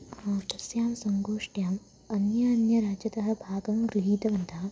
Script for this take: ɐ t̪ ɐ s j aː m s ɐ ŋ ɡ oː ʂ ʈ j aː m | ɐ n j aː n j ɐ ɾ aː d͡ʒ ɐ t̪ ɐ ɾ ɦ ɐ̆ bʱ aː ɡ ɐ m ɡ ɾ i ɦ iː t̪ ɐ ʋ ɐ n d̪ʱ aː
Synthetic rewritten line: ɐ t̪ ɐ s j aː m s ɐ ŋ ɡ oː ʂ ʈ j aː m | ɐ n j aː n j ɐ ɾ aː d͡ʒ ɐ t̪ ɐ ɦ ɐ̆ bʱ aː ɡ ɐ m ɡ ɾ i ɦ iː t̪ ɐ ʋ ɐ n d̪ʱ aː